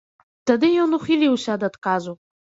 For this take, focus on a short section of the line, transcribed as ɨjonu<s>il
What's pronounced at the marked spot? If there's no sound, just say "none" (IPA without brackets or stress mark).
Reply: χ